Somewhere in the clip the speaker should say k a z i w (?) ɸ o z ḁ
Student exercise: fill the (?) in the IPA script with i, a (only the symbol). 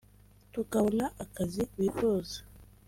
i